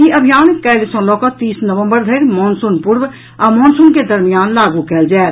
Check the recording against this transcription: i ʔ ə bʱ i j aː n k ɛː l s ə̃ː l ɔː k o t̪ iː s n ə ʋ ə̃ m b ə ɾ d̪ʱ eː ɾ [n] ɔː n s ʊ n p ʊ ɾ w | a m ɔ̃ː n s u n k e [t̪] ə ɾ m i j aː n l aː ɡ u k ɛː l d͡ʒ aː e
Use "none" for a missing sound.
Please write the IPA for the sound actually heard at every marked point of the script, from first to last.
m, d̪

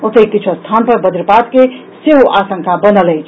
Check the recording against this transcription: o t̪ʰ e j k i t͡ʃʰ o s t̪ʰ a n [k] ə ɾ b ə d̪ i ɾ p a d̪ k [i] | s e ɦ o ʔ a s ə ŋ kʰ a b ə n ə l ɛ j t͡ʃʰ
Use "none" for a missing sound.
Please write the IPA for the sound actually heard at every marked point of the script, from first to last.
p, e

